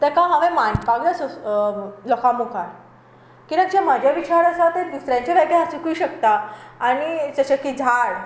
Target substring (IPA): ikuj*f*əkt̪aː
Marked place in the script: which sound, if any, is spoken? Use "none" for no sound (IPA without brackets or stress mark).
ɕ